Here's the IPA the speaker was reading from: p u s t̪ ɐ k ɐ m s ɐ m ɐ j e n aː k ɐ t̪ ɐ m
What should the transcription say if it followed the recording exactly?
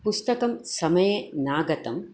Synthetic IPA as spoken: p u s t̪ ɐ k ɐ m s ɐ m ɐ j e n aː ɡ ɐ t̪ ɐ m

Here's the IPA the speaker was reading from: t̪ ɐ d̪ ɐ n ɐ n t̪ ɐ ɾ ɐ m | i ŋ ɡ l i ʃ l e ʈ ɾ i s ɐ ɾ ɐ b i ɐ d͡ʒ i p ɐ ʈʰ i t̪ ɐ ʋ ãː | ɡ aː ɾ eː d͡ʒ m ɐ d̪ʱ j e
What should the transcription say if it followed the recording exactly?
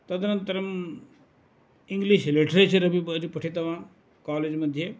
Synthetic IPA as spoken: t̪ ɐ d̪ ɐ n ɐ n t̪ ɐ ɾ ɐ m | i ŋ ɡ l i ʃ l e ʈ ɾ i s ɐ ɾ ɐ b i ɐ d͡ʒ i p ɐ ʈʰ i t̪ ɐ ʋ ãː | k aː l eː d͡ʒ m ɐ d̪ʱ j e

